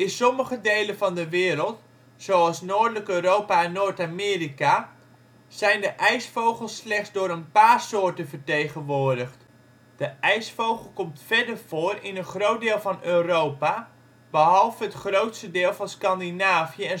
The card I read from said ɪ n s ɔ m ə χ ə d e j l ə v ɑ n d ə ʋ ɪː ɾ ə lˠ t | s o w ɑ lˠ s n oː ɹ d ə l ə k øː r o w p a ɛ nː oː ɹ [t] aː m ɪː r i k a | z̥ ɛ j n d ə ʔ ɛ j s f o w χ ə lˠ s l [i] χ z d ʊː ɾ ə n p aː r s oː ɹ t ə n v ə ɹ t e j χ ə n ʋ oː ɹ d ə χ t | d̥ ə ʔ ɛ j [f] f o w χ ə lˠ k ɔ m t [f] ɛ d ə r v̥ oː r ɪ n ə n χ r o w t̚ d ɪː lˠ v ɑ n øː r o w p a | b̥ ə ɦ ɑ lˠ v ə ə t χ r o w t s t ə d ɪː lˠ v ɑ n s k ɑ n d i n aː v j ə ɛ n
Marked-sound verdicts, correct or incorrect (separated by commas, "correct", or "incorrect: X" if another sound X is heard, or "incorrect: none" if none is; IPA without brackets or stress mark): correct, incorrect: ɛ, incorrect: s, correct